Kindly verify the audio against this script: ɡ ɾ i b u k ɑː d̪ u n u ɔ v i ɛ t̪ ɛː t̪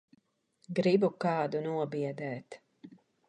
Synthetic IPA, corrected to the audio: ɡ ɾ i b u k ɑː d̪ u n u ɔ b i ɛ d̪ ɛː t̪